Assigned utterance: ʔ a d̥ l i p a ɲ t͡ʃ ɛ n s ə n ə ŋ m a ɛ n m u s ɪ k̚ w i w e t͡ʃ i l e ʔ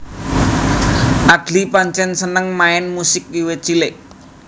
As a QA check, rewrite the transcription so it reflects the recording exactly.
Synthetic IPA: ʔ a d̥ l i p a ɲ t͡ʃ ɛ n s ə n ə ŋ m a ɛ n m u s ɪ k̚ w i w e t͡ʃ i l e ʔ